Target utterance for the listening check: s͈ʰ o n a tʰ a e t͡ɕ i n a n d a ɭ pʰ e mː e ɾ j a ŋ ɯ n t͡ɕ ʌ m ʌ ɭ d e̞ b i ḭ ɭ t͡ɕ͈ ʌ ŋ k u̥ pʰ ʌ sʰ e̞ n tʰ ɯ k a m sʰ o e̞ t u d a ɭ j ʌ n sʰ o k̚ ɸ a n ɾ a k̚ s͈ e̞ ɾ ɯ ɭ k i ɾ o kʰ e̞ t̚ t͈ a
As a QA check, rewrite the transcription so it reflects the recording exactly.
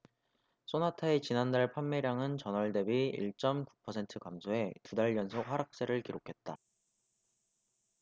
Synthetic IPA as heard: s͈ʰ o n a tʰ a e t͡ɕ i n a n d a ɭ pʰ a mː e ɾ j a ŋ ɯ n t͡ɕ ʌ n ʌ ɭ d e̞ b i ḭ ɭ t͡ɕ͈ ʌ m k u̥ pʰ ʌ sʰ e̞ n tʰ ɯ k a m sʰ o e̞ t u d a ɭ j ʌ n sʰ o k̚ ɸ a ɾ a k̚ s͈ e̞ ɾ ɯ ɭ k i ɾ o kʰ e̞ t̚ t͈ a